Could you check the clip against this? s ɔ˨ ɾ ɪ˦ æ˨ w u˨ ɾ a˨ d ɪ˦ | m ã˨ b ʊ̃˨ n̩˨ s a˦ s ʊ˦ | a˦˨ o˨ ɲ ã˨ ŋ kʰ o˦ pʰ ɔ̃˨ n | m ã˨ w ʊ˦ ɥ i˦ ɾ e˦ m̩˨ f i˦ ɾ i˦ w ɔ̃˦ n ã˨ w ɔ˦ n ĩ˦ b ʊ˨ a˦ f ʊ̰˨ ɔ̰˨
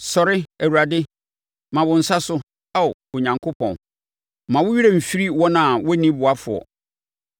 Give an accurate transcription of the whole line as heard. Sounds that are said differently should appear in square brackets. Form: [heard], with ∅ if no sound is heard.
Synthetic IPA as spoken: s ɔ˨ ɾ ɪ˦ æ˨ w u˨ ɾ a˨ d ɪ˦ | m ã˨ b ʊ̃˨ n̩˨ s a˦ s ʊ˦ | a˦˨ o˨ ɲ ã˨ ŋ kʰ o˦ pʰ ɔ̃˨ n | m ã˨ w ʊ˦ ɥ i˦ ɾ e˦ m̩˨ f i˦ ɾ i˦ w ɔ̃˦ n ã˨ w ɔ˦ n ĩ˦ b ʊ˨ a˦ f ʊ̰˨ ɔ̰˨

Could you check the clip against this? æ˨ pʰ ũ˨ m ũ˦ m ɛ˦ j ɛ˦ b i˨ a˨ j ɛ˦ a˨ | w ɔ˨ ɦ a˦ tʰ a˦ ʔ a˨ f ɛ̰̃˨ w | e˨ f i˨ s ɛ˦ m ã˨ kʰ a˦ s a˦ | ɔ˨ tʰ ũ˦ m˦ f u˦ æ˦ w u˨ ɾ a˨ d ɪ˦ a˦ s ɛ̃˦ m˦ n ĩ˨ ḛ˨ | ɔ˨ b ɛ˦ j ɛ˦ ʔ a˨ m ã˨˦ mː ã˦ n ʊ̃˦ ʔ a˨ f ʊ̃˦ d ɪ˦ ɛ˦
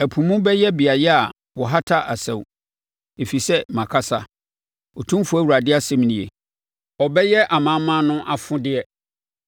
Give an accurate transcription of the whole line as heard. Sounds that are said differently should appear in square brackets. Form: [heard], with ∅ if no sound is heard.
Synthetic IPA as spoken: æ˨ pʰ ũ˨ m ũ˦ [b] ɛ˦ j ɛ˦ b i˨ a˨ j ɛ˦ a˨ | w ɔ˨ ɦ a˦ tʰ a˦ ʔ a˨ [s] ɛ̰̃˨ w | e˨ f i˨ s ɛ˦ m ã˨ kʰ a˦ s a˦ | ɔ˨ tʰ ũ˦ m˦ f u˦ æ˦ w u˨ ɾ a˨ d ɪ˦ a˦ s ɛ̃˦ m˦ n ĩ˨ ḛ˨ | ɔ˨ b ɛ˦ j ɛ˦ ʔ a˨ m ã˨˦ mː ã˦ n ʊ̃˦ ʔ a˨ f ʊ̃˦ d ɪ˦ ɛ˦

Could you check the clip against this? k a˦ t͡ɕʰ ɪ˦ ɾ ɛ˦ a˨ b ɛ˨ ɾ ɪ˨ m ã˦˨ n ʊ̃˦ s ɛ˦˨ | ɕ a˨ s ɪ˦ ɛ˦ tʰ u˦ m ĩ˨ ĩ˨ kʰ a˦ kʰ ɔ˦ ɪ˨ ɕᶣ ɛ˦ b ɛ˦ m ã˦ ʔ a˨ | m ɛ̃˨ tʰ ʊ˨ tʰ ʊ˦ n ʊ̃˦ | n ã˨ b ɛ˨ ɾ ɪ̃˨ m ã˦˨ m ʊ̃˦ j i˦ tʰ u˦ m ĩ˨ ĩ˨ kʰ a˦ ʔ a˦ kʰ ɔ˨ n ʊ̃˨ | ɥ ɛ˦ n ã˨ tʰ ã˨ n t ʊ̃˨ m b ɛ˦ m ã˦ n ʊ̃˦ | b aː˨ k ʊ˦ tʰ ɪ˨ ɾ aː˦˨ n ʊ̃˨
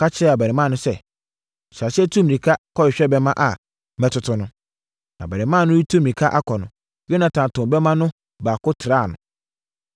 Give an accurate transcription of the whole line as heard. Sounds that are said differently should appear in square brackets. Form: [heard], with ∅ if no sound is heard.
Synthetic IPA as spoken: k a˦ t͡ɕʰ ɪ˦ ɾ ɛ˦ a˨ b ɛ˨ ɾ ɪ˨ m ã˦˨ n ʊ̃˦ s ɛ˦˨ | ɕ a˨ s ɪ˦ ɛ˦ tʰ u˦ m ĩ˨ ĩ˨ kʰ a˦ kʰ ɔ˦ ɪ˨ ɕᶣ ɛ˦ b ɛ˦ m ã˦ ʔ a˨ | m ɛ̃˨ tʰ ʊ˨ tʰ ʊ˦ n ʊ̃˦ | n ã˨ b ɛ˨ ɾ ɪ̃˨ m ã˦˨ [n] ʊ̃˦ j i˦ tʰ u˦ m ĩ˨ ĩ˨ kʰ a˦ ʔ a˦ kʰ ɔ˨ n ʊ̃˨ | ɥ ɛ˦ n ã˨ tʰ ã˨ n t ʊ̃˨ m b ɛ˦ m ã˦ n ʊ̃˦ | b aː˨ k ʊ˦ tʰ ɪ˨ ɾ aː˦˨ n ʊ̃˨

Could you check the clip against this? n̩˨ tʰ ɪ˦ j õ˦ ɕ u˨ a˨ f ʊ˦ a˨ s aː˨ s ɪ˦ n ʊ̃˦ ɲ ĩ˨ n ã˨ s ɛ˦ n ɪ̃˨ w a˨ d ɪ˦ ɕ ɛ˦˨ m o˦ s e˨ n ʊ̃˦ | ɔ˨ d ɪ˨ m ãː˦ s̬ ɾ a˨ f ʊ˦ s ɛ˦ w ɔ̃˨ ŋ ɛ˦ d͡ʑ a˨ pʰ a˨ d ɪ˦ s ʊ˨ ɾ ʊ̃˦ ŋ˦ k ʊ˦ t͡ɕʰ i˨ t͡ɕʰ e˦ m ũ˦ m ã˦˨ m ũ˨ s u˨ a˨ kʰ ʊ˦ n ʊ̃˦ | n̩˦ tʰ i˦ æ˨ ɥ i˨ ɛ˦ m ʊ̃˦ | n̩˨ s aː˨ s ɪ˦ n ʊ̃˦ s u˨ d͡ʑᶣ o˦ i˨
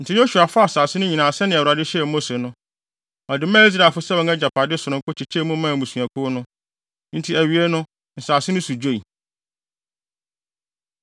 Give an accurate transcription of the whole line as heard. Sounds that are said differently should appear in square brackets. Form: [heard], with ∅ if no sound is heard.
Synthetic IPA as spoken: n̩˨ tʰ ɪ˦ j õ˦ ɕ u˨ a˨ f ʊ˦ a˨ s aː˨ s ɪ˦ n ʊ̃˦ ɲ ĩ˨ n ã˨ s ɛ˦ n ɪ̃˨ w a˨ d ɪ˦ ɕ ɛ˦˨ m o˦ s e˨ n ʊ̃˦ | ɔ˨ d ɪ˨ m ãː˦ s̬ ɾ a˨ f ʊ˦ s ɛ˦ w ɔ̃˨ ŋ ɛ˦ d͡ʑ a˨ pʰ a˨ d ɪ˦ s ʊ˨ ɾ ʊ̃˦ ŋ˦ k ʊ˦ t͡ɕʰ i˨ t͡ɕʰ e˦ m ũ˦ m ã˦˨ m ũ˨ s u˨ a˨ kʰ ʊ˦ n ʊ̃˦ | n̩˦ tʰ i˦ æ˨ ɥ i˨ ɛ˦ [n] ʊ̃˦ | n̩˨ s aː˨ s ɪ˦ n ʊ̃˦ s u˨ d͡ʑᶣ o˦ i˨

